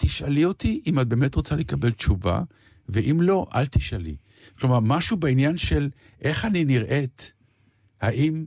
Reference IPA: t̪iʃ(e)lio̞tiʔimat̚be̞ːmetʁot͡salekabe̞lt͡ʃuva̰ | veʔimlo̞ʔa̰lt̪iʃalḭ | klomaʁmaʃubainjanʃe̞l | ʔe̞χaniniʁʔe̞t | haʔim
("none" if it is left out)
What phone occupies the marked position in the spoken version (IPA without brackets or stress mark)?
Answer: a